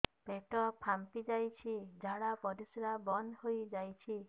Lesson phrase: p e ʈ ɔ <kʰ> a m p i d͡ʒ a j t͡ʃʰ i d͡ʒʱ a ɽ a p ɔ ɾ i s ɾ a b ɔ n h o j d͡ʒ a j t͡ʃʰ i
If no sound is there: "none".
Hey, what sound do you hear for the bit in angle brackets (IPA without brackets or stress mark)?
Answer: pʰ